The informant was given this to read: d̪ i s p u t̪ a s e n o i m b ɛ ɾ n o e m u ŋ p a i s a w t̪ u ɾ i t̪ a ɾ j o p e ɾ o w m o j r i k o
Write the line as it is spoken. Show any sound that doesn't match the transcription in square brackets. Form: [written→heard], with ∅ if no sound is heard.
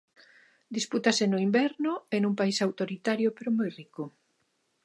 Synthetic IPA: d̪ i s p u t̪ a s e n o i m b ɛ ɾ n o e [m→n] u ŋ p a i s a w t̪ [u→o] ɾ i t̪ a ɾ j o p e ɾ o [w→∅] m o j r i k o